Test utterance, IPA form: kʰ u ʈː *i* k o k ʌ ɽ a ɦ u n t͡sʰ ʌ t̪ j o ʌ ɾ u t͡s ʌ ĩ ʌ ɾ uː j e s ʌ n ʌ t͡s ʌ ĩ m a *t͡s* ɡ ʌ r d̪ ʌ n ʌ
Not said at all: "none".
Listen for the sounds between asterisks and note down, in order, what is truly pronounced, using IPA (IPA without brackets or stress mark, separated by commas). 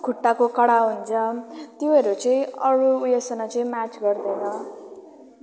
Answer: a, t͡s